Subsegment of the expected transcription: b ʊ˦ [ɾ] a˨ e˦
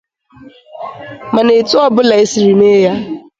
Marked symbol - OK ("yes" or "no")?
no